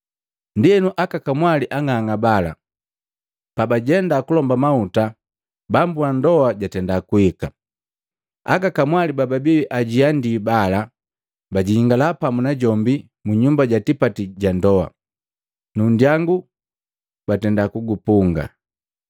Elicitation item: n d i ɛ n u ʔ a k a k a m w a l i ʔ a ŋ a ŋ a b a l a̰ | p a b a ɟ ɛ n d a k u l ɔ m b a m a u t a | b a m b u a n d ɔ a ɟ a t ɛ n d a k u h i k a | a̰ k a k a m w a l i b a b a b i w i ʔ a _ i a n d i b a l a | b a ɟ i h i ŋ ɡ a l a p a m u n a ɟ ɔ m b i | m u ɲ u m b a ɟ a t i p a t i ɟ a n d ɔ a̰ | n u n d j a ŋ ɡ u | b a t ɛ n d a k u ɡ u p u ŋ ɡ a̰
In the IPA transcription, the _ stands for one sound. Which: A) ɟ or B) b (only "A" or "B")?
A